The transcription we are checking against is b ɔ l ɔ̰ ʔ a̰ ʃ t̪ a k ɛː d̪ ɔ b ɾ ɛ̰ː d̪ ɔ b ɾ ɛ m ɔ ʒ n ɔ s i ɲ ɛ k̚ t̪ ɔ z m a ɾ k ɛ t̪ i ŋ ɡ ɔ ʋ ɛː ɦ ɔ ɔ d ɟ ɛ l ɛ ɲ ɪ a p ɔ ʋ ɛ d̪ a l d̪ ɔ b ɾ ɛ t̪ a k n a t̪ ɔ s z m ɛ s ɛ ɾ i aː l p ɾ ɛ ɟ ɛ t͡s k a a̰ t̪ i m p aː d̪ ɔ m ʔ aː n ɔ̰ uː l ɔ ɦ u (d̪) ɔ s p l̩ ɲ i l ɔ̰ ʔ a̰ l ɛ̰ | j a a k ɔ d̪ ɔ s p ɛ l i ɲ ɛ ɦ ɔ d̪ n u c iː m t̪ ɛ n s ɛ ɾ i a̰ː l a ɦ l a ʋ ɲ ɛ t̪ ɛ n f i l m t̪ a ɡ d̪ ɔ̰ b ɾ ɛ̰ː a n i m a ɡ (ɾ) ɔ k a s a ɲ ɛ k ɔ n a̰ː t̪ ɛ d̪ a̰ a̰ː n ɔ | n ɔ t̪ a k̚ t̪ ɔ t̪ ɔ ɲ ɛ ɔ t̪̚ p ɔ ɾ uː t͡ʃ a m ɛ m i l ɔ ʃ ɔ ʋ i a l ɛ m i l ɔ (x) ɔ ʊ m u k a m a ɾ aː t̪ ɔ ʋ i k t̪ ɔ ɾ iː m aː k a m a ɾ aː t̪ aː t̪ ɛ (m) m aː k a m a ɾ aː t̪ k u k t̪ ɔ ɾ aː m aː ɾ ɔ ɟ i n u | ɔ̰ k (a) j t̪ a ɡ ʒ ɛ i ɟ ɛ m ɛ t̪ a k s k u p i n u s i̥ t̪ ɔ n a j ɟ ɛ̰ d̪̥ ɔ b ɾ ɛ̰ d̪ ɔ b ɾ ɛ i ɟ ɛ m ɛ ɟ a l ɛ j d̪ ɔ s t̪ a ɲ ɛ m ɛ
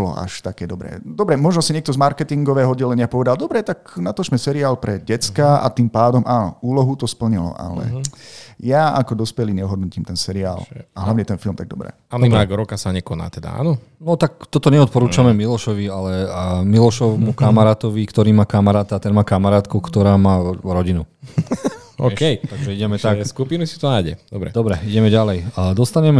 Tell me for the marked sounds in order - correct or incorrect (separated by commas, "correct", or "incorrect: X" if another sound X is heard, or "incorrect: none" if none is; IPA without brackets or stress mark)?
incorrect: t̪, correct, incorrect: ʃ, incorrect: n, incorrect: ɛ